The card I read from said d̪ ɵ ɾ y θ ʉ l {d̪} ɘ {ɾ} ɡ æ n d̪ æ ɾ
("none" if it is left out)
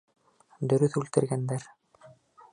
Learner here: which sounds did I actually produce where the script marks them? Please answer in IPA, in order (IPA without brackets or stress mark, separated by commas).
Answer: t̪, ɾ